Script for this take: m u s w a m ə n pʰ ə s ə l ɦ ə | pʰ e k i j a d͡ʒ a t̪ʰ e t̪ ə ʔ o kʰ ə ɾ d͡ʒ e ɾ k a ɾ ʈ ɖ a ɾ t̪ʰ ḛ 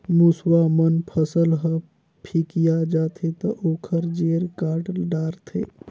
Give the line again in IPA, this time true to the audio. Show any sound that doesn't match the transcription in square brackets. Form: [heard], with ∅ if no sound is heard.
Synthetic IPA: m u s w a m ə n pʰ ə s ə l ɦ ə | pʰ [i] k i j a d͡ʒ a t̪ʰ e t̪ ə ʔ o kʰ ə ɾ d͡ʒ e ɾ k a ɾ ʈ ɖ a ɾ t̪ʰ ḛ